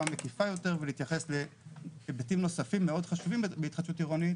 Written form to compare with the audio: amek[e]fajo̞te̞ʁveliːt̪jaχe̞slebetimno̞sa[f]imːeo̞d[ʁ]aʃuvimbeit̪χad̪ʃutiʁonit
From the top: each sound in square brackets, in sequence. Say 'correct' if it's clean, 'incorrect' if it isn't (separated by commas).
incorrect, correct, incorrect